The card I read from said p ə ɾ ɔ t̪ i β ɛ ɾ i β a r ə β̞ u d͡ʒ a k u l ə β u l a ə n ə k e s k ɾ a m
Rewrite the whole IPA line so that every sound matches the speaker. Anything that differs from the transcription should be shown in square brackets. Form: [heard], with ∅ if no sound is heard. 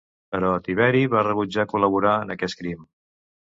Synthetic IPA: p ə ɾ ɔ t̪ i β ɛ ɾ i β a r ə β̞ u d͡ʒ a k u l ə β u [ɾ] a ə n ə k [ɛ] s k ɾ [i] m